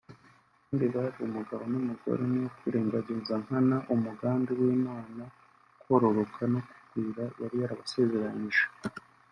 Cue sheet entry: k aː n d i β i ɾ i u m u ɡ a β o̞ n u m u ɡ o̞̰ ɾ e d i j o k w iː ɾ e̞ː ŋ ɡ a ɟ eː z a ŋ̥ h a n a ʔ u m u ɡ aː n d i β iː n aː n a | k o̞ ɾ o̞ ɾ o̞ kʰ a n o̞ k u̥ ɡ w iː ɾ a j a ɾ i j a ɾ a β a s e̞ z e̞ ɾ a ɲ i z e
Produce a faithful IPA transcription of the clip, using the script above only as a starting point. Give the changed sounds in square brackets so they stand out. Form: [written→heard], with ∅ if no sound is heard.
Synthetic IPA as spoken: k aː n d i β [i→a] ɾ i u m u ɡ a β o̞ n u m u ɡ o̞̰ ɾ e [d→n] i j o k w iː ɾ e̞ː ŋ ɡ a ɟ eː z a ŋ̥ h a n a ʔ u m u ɡ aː n d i [β→w] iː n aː n a | k o̞ ɾ o̞ ɾ o̞ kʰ a n o̞ k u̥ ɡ w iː ɾ a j a ɾ i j a ɾ a β a s e̞ z e̞ ɾ a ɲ i [z→ʒ] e